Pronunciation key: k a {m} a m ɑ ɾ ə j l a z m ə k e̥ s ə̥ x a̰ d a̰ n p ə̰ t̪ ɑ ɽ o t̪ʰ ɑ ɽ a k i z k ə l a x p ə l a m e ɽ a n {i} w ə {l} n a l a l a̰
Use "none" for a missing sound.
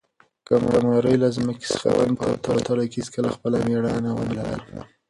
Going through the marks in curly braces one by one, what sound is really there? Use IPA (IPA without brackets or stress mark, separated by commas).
m, a, none